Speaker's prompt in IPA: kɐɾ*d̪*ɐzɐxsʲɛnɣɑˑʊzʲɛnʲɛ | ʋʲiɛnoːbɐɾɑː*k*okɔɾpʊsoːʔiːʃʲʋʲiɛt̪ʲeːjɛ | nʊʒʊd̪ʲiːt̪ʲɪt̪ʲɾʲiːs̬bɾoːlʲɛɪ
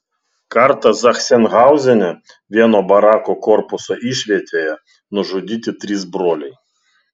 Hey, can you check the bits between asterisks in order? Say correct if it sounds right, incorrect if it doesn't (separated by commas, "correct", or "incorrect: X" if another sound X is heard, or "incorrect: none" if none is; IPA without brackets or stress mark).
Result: incorrect: t̪, correct